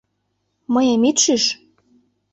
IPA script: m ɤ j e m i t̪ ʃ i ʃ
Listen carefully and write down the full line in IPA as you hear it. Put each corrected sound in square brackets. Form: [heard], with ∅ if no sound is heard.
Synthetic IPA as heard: m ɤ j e m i t̪ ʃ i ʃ